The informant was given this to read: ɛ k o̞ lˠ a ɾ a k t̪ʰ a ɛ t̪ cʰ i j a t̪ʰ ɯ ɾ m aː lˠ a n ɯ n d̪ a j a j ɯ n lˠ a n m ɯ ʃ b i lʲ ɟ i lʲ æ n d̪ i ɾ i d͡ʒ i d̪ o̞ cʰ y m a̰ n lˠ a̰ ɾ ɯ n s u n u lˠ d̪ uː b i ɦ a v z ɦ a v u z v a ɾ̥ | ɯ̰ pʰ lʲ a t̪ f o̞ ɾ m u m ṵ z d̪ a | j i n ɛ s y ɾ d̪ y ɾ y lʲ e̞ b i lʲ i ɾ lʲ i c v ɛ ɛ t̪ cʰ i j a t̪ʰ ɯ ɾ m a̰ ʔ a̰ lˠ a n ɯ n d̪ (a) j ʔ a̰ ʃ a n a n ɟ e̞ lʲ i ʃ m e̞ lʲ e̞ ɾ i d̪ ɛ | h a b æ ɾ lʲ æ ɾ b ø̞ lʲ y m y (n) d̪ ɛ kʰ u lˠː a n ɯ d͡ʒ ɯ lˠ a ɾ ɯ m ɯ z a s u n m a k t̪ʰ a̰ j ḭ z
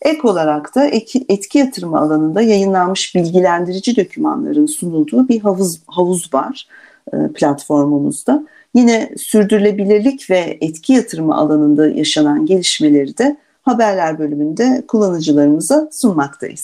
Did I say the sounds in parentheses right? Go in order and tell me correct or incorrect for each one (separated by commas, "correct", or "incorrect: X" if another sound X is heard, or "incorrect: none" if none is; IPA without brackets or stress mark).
correct, correct